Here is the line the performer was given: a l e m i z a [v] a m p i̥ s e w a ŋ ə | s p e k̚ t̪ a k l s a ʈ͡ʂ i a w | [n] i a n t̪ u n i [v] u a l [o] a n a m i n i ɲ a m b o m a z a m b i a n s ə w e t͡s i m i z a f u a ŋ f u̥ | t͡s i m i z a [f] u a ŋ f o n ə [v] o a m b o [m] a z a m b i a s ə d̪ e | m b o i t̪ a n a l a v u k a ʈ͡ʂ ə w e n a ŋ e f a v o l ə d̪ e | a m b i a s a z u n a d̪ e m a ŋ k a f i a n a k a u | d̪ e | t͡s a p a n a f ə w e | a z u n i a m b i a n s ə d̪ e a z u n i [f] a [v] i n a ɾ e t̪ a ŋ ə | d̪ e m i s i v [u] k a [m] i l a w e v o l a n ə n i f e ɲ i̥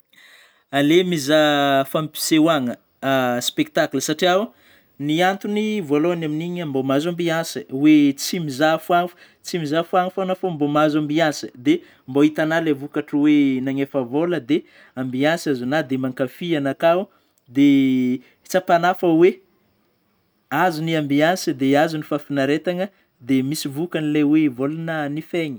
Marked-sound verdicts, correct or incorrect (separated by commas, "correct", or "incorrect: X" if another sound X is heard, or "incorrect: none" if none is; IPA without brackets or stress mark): incorrect: f, correct, correct, correct, correct, incorrect: f, correct, correct, incorrect: f, correct, incorrect: n